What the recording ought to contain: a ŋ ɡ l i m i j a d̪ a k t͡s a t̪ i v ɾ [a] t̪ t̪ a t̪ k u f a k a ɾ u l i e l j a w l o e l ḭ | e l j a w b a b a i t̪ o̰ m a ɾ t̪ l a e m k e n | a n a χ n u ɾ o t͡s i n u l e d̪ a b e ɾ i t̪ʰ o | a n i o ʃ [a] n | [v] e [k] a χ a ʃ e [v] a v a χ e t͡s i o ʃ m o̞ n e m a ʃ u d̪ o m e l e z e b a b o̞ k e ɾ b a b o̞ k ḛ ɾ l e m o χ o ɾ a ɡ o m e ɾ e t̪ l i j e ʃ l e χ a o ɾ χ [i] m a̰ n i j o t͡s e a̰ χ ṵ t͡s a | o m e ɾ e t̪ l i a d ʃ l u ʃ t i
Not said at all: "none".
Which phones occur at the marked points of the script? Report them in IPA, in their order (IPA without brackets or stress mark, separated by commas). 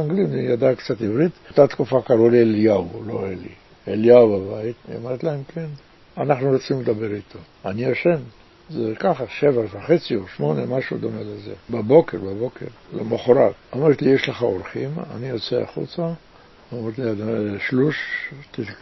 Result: i, e, z, k, v, i